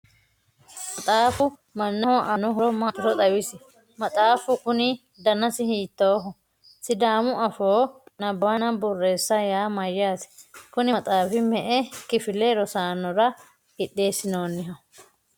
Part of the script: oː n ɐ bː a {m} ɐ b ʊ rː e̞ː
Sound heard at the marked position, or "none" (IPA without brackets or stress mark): n